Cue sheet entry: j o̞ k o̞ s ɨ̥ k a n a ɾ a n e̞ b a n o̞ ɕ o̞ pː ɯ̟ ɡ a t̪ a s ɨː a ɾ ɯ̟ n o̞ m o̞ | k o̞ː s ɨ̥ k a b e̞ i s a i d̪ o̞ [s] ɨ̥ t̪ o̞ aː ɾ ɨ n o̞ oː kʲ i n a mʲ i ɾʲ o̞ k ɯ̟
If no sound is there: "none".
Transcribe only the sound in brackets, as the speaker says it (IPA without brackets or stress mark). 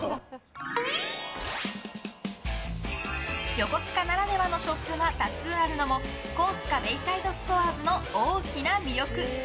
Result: s